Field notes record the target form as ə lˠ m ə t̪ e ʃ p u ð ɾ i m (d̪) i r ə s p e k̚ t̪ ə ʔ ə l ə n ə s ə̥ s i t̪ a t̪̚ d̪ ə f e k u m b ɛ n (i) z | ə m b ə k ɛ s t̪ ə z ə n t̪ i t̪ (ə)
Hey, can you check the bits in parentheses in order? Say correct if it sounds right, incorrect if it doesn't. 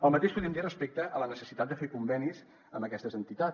correct, correct, incorrect

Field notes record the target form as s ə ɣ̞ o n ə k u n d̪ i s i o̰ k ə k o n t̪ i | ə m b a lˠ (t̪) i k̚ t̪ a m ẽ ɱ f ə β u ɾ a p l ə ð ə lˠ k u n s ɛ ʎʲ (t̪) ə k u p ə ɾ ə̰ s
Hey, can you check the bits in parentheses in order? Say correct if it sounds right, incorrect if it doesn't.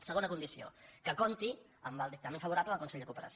incorrect, incorrect

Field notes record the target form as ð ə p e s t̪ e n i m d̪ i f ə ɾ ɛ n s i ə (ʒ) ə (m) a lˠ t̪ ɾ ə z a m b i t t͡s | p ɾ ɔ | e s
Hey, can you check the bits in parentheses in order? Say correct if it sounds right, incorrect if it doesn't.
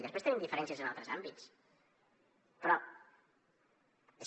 incorrect, incorrect

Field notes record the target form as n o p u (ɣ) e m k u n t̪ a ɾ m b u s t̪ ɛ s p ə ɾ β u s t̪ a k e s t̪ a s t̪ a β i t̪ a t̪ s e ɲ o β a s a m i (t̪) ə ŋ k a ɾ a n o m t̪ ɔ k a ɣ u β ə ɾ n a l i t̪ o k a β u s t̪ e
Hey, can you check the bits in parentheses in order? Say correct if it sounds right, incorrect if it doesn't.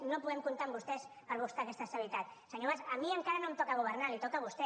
incorrect, incorrect

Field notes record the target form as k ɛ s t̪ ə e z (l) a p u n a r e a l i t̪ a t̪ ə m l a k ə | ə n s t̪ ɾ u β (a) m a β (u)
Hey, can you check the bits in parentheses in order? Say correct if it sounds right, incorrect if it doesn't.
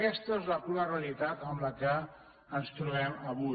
correct, incorrect, correct

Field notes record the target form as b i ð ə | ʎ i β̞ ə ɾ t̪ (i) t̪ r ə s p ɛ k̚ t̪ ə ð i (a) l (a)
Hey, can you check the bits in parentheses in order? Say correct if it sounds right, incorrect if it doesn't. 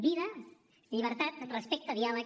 incorrect, correct, incorrect

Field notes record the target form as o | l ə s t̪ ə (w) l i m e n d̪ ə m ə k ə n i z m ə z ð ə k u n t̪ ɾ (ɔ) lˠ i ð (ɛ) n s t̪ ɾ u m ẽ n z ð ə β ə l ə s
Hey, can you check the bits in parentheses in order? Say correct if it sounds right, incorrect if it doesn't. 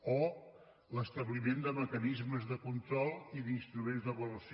incorrect, correct, incorrect

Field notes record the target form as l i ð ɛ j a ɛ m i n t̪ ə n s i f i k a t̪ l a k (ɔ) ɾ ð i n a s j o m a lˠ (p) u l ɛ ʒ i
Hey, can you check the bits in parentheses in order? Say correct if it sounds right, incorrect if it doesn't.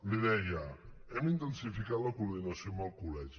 incorrect, incorrect

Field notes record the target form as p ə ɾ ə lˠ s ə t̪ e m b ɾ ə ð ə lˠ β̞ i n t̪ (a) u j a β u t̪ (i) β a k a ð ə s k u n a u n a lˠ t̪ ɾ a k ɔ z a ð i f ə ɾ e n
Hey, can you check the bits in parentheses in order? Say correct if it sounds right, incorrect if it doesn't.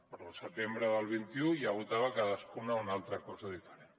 incorrect, incorrect

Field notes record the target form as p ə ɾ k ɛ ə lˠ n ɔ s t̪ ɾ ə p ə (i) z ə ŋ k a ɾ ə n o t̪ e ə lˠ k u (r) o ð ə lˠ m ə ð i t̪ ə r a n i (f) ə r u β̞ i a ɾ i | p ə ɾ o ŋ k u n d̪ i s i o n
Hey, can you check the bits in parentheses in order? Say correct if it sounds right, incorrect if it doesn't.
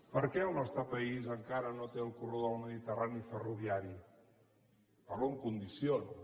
correct, correct, correct

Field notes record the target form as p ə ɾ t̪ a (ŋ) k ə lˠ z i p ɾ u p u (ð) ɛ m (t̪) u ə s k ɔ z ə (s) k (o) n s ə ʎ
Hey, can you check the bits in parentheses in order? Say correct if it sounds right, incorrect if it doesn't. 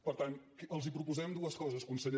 incorrect, incorrect, incorrect, correct, incorrect

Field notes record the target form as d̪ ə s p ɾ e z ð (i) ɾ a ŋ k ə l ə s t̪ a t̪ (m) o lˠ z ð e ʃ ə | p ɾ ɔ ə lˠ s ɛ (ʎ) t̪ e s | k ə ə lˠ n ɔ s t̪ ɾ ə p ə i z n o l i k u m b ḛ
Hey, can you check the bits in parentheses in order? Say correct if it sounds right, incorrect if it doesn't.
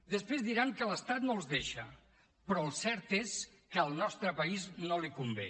correct, incorrect, incorrect

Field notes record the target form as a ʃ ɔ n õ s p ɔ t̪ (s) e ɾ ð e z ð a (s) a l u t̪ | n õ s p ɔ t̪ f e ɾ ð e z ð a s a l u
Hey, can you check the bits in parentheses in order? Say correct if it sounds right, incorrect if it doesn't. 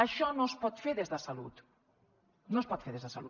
incorrect, correct

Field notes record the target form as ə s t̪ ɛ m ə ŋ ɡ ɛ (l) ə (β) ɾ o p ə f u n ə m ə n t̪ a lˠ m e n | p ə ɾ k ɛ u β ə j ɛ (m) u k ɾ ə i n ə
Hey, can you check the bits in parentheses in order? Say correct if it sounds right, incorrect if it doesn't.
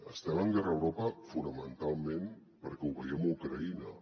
incorrect, incorrect, correct

